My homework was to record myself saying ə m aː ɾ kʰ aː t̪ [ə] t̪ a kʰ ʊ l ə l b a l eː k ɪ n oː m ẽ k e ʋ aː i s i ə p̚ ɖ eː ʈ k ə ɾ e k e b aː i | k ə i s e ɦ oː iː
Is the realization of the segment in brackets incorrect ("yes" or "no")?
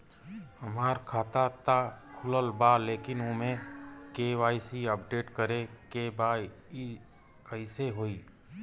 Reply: yes